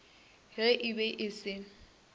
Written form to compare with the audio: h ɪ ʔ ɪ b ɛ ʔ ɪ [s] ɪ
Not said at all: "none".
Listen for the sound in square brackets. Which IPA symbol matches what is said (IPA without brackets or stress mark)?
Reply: s